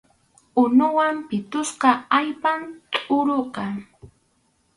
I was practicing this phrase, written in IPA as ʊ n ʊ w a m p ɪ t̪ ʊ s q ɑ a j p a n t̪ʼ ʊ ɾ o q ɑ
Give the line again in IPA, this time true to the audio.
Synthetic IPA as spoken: ʊ n ʊ w a m p ɪ t̪ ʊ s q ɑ a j p a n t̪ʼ ʊ ɾ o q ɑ